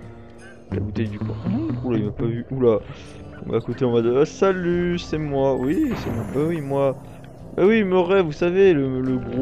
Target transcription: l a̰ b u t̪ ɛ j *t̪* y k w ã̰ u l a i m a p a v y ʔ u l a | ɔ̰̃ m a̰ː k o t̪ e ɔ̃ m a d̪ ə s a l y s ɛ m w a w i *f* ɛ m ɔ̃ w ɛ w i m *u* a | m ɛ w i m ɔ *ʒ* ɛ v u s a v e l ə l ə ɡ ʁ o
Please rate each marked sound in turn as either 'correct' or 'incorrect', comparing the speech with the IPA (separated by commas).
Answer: incorrect, incorrect, incorrect, incorrect